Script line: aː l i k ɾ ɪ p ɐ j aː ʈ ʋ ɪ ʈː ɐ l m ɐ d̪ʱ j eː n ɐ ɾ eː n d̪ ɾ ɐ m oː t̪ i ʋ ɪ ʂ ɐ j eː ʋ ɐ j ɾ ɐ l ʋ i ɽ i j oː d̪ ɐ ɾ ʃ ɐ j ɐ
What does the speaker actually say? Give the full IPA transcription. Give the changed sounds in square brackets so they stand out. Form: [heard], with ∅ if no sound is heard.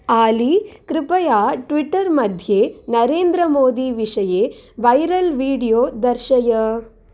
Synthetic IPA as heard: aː l i k ɾ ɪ p ɐ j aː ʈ ʋ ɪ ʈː ɐ [ɾ] m ɐ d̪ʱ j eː n ɐ ɾ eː n d̪ ɾ ɐ m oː [d̪] i ʋ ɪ ʂ ɐ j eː ʋ ɐ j ɾ ɐ l ʋ [iː] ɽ i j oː d̪ ɐ ɾ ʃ ɐ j ɐ

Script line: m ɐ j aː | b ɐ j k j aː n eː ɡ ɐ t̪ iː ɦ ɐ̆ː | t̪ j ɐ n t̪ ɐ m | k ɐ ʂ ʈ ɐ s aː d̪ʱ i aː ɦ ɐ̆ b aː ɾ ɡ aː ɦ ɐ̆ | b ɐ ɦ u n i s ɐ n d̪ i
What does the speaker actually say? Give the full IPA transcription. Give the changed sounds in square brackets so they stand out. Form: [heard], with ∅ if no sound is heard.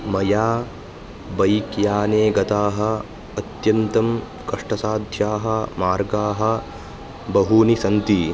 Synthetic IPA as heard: m ɐ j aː | b ɐ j k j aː n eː ɡ ɐ t̪ [aː] ɦ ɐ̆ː | t̪ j ɐ n t̪ ɐ m | k ɐ ʂ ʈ ɐ s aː d̪ʱ [j] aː ɦ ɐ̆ [m] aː ɾ ɡ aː ɦ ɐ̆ | b ɐ ɦ u n i s ɐ n [t̪] i

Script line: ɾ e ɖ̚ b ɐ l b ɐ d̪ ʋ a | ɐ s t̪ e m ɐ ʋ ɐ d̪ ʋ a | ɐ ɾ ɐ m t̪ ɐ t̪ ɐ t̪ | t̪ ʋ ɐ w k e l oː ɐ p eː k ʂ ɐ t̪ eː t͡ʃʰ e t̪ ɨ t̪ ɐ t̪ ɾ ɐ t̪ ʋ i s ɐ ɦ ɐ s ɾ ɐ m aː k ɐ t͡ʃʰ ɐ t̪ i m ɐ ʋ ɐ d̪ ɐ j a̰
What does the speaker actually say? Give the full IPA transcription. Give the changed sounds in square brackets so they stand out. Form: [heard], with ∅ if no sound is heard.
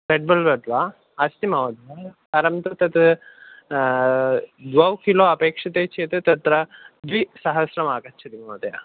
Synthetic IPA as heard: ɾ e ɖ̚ b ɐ l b ɐ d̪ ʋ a | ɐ s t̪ [i] m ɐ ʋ ɐ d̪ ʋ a | ɐ ɾ ɐ m t̪ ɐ t̪ ɐ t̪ | [d̪] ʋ ɐ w k [i] l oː ɐ p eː k ʂ ɐ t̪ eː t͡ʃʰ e t̪ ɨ t̪ ɐ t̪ ɾ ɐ [d̪] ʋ i s ɐ ɦ ɐ s ɾ ɐ m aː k ɐ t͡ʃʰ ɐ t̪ i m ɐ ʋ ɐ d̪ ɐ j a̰

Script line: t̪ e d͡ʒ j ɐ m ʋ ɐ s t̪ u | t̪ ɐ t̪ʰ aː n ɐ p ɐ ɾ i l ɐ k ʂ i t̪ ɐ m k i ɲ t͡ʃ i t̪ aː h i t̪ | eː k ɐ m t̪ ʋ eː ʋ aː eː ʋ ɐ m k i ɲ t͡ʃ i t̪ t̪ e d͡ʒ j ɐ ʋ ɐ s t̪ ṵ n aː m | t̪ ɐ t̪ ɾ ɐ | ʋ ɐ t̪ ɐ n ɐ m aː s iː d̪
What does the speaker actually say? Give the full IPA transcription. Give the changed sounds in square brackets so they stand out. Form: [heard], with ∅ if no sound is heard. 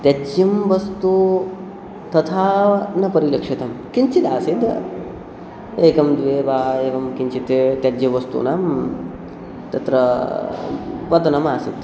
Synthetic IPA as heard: t̪ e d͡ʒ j ɐ m ʋ ɐ s t̪ u | t̪ ɐ t̪ʰ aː n ɐ p ɐ ɾ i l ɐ k ʂ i t̪ ɐ m k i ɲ t͡ʃ i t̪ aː [s] i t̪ | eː k ɐ m [d̪] ʋ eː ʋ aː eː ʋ ɐ m k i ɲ t͡ʃ i t̪ t̪ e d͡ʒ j ɐ ʋ ɐ s t̪ ṵ n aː m | t̪ ɐ t̪ ɾ ɐ | ʋ ɐ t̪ ɐ n ɐ m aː s [i] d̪

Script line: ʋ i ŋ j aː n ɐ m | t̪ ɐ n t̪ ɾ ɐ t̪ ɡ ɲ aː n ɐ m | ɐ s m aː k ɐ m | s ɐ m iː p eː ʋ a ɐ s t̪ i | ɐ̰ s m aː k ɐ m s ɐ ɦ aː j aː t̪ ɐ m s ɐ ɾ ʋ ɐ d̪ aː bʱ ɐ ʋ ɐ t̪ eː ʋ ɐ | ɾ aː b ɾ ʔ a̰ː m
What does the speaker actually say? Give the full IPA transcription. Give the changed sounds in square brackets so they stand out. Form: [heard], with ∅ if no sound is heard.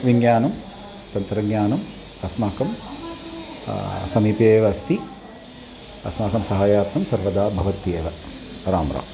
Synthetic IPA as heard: ʋ i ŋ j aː n ɐ m | t̪ ɐ n t̪ ɾ ɐ [∅] ɡ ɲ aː n ɐ m | ɐ s m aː k ɐ m | s ɐ m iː p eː ʋ [ɐ] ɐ s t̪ i | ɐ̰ s m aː k ɐ m s ɐ ɦ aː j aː t̪ ɐ m s ɐ ɾ ʋ ɐ d̪ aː bʱ ɐ ʋ ɐ t̪ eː ʋ ɐ | ɾ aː [m] ɾ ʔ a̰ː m

